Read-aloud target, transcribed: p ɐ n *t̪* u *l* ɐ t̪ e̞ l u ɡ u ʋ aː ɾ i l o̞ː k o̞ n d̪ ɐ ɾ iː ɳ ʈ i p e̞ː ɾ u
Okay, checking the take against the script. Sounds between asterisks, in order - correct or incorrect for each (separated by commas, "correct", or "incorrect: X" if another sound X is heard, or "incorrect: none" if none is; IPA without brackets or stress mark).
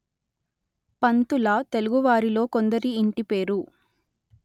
correct, correct